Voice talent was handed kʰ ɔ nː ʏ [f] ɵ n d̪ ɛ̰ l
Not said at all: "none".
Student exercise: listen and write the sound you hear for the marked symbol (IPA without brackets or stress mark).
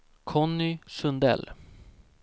s